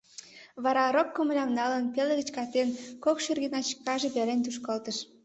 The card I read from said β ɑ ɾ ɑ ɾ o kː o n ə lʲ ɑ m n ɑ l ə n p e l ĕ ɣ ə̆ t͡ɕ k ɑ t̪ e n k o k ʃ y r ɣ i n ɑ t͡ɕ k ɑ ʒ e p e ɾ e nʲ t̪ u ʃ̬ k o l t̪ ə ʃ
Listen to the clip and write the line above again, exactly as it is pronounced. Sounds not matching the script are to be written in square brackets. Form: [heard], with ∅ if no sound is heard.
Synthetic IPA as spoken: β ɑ ɾ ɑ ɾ o kː o [m] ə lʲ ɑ m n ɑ l ə n p e l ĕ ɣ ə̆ t͡ɕ k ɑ t̪ e n k o k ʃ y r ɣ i n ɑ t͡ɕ k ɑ ʒ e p e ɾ e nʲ t̪ u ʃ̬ k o l t̪ ə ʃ